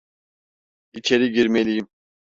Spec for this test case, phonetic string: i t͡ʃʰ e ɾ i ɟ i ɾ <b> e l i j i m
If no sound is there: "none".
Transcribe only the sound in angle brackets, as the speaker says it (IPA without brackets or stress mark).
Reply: m